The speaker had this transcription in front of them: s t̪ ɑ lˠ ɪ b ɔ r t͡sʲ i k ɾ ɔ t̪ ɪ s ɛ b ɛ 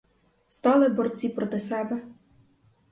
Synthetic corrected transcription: s t̪ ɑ lˠ ɪ b ɔ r t͡sʲ i p ɾ ɔ t̪ ɪ s ɛ b ɛ